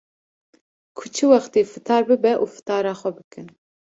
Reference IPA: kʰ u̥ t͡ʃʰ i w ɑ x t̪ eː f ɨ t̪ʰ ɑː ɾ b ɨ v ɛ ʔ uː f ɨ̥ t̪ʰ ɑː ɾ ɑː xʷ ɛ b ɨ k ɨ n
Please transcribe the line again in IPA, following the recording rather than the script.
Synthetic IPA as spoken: kʰ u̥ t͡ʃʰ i w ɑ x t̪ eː f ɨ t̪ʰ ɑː ɾ b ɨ b ɛ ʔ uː f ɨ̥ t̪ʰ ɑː ɾ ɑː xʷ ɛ b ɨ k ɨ n